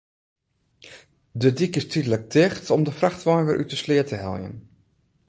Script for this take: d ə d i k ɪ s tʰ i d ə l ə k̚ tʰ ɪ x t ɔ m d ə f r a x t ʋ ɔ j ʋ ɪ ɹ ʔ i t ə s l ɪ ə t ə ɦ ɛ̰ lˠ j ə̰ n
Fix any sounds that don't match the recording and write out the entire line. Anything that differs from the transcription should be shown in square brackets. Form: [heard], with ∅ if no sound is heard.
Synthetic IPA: d ə d i k ɪ s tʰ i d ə l ə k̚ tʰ ɪ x t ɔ m d ə f r a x t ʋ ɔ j ʋ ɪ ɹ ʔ [y] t ə s l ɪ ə t ə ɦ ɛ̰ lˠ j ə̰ n